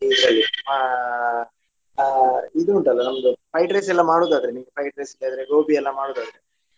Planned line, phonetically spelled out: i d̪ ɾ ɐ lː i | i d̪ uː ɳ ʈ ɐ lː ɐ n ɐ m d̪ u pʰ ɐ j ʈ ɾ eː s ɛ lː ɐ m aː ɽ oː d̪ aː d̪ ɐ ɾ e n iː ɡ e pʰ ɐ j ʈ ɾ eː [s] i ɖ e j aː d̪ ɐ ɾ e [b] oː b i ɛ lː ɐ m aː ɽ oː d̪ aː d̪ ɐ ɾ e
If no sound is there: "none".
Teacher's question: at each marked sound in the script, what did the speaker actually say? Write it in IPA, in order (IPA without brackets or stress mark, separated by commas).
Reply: s, ɡ